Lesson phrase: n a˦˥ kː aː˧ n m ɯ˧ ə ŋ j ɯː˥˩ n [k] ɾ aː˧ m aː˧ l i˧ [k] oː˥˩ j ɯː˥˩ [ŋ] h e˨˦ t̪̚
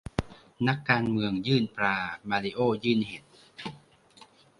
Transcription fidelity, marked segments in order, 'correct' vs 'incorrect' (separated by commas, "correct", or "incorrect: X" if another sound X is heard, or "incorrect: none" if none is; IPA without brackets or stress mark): incorrect: p, incorrect: ʔ, incorrect: n